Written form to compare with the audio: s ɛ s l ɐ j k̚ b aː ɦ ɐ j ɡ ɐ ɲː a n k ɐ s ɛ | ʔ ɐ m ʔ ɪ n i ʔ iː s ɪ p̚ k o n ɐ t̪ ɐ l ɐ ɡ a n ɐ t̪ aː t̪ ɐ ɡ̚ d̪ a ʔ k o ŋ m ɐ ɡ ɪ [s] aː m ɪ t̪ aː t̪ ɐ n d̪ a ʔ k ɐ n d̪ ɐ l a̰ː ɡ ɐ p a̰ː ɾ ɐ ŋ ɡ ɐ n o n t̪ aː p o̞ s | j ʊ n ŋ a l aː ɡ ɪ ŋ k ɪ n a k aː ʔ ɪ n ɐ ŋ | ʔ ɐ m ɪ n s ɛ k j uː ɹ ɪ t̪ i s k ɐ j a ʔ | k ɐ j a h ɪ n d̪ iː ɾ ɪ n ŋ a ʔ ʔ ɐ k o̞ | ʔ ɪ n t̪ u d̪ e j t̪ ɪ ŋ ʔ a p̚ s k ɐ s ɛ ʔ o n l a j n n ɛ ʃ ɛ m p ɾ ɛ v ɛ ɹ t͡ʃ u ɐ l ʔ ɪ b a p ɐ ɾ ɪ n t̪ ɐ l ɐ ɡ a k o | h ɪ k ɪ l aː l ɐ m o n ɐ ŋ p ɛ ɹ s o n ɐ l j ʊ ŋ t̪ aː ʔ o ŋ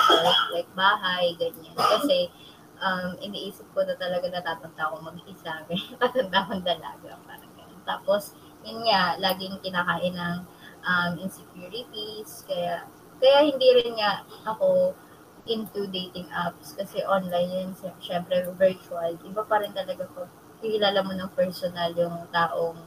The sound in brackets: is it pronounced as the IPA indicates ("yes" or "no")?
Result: yes